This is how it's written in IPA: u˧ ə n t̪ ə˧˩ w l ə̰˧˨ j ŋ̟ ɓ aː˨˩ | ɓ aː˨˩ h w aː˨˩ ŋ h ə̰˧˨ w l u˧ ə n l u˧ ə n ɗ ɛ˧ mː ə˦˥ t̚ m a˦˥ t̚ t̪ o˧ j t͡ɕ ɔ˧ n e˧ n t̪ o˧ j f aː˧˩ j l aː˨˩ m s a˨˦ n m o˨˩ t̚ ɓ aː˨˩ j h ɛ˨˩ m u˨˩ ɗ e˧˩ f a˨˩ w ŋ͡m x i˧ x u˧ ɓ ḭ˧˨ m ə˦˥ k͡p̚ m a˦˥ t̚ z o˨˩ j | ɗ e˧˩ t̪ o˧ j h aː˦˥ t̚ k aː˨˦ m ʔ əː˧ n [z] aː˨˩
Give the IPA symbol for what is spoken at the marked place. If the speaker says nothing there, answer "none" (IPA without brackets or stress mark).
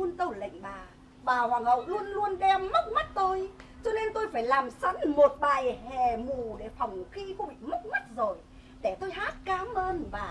v